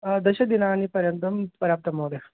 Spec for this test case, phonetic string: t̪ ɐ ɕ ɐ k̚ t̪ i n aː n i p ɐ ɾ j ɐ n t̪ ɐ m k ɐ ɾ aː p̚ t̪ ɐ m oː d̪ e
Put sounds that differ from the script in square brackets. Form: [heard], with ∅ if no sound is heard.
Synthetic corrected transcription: [d̪] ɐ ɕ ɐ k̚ [d̪] i n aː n i p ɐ ɾ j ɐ n t̪ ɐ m [p] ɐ ɾ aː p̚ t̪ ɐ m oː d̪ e